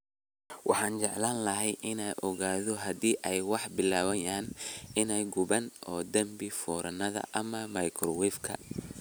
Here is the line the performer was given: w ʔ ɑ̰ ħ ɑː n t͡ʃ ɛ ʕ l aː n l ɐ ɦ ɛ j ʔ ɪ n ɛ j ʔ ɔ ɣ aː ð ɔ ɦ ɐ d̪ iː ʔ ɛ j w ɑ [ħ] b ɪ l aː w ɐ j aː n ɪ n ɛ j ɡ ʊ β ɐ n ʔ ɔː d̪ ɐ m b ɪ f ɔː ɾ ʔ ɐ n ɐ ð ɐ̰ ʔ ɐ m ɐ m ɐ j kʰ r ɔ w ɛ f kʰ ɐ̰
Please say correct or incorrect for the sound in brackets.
correct